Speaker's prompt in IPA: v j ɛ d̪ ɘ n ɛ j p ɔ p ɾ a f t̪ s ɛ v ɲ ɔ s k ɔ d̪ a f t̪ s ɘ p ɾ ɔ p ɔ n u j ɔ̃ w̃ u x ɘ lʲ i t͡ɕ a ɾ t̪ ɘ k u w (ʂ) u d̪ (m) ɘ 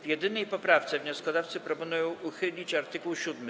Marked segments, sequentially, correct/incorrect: incorrect: ɕ, correct

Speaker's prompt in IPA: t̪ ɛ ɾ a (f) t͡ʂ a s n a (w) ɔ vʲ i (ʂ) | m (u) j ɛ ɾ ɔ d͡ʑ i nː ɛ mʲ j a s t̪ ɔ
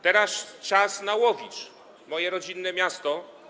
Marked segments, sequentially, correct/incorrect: incorrect: s, correct, incorrect: t͡ʂ, incorrect: ɔ

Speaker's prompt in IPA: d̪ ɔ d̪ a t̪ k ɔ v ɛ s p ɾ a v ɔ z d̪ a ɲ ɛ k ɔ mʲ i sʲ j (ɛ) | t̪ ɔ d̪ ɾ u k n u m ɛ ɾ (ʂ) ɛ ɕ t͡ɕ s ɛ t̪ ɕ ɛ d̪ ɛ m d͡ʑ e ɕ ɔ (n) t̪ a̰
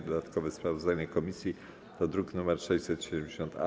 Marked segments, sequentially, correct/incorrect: incorrect: i, correct, correct

